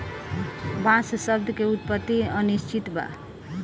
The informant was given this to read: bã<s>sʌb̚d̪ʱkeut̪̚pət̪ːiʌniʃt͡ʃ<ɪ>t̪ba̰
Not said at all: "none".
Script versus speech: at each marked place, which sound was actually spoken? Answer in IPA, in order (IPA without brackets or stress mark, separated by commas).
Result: s, i